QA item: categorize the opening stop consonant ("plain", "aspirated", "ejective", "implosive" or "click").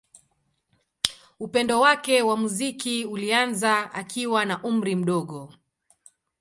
plain